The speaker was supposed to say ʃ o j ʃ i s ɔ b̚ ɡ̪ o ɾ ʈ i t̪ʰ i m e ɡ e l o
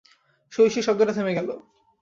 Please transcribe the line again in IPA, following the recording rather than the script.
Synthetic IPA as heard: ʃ o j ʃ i ʃ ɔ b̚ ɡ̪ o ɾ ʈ a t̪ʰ e m e ɡ ɛ l o